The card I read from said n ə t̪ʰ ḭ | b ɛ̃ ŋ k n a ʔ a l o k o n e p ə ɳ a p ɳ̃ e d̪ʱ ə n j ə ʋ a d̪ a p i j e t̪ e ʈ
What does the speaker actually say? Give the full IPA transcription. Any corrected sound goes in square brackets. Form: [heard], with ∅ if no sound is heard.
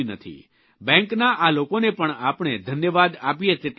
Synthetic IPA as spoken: n ə t̪ʰ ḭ | b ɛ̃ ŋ k n a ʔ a l o k o n e p ə ɳ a p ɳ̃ e d̪ʱ ə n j ə ʋ a d̪ a p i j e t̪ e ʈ

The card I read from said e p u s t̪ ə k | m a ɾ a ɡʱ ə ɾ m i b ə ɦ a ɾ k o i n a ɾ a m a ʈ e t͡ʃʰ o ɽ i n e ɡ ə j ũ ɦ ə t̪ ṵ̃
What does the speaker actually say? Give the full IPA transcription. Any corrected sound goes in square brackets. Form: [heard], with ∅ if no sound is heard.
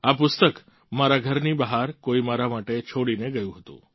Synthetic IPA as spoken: [a] p [ʊ] s t̪ ə k | m a ɾ a ɡʱ ə ɾ [n] i b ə ɦ a ɾ k o i [m] a ɾ a m a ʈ e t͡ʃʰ o ɽ i n e ɡ ə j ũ ɦ ə t̪ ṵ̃

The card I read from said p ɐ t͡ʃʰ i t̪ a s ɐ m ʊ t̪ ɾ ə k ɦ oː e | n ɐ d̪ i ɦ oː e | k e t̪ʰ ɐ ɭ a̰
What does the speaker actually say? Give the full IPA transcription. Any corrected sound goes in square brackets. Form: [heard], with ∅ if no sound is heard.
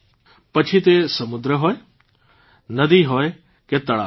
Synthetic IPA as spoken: p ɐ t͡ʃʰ i t̪ [e] s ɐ m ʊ [d̪] ɾ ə [∅] ɦ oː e | n ɐ d̪ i ɦ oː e | k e [t̪] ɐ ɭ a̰

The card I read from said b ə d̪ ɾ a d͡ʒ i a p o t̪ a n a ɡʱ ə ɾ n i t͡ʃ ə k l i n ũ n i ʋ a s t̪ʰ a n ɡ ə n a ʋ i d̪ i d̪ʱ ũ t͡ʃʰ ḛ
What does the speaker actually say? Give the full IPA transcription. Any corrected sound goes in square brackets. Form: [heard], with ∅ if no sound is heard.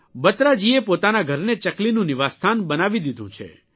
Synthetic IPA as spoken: b ə [t̪] ɾ a d͡ʒ i [e] p o t̪ a n a ɡʱ ə ɾ n [e] t͡ʃ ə k l i n ũ n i ʋ a s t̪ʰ a n [b] ə n a ʋ i d̪ i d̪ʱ ũ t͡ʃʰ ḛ

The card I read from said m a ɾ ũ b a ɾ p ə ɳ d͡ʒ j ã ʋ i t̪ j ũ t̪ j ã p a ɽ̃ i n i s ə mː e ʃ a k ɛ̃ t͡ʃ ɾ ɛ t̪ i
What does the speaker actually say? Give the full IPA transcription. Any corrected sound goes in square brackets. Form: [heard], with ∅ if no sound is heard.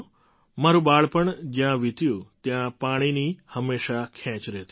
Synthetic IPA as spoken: m a ɾ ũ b a [ɭ] p ə ɳ d͡ʒ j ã ʋ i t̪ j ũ t̪ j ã p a ɽ̃ i n i [h] ə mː e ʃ a [kʰ] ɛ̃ t͡ʃ ɾ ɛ t̪ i

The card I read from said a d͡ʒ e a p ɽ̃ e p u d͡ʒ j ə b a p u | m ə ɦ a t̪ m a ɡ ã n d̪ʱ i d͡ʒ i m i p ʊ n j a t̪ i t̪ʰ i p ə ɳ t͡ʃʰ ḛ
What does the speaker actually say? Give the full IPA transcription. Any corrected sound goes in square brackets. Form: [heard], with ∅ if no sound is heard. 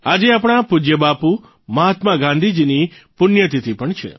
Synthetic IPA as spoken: a d͡ʒ e a p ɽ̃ [a] p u d͡ʒ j ə b a p u | m ə ɦ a t̪ m a ɡ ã n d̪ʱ i d͡ʒ i [n] i p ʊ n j [ə] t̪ i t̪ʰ i p ə ɳ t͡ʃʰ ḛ

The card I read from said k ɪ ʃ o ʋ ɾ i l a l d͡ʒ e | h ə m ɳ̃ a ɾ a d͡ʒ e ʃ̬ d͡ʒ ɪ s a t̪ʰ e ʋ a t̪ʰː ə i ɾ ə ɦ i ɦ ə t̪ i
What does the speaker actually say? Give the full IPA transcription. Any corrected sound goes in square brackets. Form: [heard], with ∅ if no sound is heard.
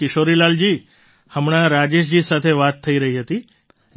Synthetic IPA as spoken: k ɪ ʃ o [∅] ɾ i l a l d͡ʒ [i] | h ə m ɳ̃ a ɾ a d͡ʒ e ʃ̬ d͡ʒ [i] s a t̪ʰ e ʋ a t̪ʰː ə i ɾ ə ɦ i ɦ ə t̪ i

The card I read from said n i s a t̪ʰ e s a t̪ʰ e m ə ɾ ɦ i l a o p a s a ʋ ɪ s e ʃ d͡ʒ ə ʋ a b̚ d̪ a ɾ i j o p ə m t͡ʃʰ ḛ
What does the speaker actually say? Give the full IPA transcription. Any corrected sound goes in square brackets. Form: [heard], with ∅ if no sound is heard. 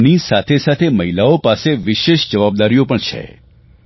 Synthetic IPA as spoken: n i s a t̪ʰ e s a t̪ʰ e m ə [∅] ɦ i l a o p a s [e] ʋ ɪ [ʃ] e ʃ d͡ʒ ə ʋ a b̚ d̪ a ɾ i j o p ə [ɳ] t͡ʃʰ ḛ

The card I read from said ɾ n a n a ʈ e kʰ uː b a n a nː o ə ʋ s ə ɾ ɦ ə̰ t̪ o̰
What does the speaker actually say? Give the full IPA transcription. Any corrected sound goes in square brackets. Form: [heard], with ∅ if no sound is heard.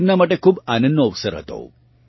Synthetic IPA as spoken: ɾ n a [m] a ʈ e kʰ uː b a n [ə] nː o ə ʋ s ə ɾ ɦ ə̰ t̪ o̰

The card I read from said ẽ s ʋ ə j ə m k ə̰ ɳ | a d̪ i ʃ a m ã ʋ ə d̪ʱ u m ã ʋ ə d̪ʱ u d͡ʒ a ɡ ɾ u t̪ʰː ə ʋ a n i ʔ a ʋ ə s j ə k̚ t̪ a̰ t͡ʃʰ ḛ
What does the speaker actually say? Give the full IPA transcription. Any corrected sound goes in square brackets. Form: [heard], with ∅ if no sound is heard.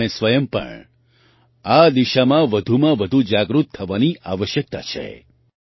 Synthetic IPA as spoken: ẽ s ʋ ə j ə m [p] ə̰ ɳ | a d̪ i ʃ a m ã ʋ ə d̪ʱ u m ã ʋ ə d̪ʱ u d͡ʒ a ɡ ɾ u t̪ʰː ə ʋ a n i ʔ a ʋ ə [ʃ] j ə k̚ t̪ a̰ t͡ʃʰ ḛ

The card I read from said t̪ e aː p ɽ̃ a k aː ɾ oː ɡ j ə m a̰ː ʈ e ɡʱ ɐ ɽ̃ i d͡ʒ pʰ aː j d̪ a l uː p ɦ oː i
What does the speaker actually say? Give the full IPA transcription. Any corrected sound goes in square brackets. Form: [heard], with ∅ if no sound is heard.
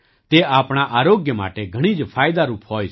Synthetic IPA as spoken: t̪ e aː p ɽ̃ a [ʔ] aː ɾ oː ɡ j ə m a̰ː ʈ e ɡʱ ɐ ɽ̃ i d͡ʒ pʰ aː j d̪ a [ɾ] uː p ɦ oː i

